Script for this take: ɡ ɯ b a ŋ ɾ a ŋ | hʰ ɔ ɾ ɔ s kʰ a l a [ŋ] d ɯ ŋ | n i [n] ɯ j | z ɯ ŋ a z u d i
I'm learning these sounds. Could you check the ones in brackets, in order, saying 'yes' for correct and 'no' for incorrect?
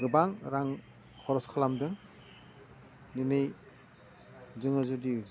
no, yes

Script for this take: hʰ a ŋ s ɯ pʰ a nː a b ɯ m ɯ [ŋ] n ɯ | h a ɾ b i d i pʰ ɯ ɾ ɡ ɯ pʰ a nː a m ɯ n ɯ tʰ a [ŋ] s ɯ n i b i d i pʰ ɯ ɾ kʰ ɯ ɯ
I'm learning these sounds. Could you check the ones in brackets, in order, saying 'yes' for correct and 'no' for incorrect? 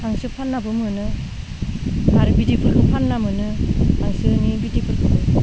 no, yes

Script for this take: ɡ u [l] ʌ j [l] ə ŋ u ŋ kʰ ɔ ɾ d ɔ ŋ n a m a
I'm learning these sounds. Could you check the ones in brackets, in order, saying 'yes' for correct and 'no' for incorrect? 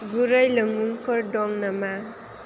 no, yes

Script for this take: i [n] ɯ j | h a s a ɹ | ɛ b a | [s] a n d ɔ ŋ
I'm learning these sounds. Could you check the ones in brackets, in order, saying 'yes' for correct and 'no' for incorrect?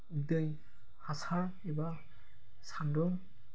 no, yes

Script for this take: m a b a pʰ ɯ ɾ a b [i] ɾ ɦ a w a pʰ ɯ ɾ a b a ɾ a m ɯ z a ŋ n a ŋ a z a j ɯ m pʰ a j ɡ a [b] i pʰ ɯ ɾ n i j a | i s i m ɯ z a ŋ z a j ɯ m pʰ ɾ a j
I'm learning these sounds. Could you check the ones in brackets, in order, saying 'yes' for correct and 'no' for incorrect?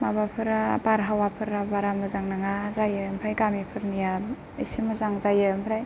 no, no

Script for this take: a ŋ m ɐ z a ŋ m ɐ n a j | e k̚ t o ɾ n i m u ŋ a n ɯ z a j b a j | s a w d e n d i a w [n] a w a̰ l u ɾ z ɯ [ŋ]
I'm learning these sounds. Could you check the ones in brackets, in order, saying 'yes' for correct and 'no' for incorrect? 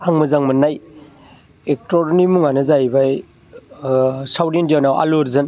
yes, no

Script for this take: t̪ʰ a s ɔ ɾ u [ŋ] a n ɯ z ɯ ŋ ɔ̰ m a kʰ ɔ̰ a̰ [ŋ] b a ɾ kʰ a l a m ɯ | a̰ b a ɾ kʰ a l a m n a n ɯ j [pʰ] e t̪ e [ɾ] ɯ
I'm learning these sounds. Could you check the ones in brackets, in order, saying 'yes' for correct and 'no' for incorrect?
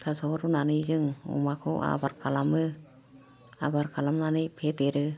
no, no, yes, yes

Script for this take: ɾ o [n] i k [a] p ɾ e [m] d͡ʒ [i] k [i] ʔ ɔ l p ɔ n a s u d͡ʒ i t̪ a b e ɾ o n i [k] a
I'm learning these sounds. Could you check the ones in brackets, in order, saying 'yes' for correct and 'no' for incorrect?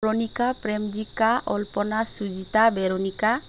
yes, yes, yes, yes, no, yes

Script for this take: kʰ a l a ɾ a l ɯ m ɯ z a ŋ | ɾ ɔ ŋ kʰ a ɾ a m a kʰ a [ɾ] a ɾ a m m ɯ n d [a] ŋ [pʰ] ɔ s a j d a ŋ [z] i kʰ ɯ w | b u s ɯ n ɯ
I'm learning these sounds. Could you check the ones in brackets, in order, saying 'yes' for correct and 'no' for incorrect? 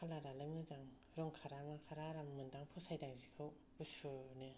yes, yes, yes, yes

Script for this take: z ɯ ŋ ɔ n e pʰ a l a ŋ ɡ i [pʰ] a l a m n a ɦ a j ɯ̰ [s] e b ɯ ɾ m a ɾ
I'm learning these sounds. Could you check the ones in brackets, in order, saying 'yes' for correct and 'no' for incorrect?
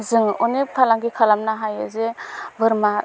no, no

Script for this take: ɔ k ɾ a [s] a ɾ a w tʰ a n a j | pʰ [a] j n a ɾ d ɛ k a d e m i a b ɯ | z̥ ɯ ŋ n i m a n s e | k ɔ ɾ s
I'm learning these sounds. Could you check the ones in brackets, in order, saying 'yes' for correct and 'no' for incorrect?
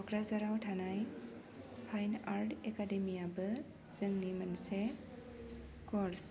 no, yes

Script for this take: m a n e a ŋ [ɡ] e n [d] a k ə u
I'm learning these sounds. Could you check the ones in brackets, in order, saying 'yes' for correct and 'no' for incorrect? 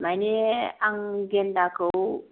yes, yes

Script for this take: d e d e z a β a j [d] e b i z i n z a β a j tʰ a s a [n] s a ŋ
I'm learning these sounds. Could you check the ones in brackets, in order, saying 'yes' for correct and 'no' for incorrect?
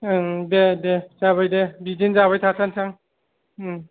yes, yes

